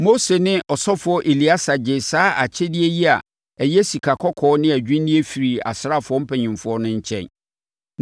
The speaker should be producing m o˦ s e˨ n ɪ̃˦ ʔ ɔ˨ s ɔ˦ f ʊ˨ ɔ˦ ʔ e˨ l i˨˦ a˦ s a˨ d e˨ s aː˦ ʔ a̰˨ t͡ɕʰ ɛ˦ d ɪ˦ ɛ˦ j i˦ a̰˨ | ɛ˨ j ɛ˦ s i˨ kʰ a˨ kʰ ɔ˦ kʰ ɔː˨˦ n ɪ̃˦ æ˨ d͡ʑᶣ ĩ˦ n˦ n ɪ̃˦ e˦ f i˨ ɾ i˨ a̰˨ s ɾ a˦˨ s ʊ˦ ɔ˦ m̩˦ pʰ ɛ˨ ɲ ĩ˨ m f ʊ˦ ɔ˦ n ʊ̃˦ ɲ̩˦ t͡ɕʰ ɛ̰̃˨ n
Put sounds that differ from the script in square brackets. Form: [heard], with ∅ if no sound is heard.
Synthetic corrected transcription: m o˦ s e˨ n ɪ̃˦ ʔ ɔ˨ s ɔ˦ f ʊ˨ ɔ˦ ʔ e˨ l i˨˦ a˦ s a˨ [d͡ʑ] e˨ s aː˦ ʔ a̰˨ t͡ɕʰ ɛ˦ d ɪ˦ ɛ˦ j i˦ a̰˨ | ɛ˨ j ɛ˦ s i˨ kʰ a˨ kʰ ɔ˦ kʰ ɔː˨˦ n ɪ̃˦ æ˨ d͡ʑᶣ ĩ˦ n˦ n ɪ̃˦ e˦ f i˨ ɾ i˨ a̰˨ s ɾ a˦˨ [f] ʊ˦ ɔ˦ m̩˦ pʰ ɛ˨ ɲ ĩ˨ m f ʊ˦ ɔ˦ n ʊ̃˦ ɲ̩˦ t͡ɕʰ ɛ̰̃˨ n

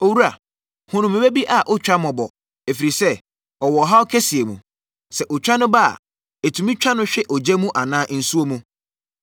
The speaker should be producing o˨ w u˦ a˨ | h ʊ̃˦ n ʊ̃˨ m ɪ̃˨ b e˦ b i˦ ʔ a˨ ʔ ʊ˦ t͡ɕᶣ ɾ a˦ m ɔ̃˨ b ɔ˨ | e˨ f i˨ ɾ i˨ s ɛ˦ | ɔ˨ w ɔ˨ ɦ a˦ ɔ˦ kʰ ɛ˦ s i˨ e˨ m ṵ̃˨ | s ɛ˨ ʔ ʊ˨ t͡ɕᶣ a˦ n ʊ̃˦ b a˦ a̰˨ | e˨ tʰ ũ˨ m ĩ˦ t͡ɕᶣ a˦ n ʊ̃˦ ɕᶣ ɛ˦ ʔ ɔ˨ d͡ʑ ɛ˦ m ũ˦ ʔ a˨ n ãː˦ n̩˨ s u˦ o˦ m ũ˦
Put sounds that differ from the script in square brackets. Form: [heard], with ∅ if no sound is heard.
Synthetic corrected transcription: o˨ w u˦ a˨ | h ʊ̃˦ n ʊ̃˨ m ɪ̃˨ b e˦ b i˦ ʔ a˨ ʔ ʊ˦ t͡ɕᶣ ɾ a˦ m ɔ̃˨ b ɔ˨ | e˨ f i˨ ɾ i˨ s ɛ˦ | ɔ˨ w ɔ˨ ɦ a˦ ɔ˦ kʰ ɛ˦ s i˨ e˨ m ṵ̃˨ | s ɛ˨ ʔ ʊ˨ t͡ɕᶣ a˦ n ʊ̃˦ b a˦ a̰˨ | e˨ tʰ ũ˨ m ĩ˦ t͡ɕᶣ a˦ n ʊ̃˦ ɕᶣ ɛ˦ ʔ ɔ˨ d͡ʑ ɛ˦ m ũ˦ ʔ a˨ n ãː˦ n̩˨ s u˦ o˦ m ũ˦

